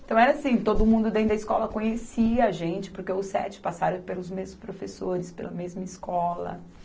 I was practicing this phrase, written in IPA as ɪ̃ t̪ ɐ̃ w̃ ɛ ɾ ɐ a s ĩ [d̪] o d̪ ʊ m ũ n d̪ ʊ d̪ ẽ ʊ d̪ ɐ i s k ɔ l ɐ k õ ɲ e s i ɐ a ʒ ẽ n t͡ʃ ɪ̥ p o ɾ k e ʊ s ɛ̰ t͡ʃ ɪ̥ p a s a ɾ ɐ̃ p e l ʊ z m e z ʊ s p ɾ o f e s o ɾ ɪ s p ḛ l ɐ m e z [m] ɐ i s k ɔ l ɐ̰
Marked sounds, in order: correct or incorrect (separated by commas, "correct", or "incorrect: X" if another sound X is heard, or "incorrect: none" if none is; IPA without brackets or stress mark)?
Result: incorrect: t̪, correct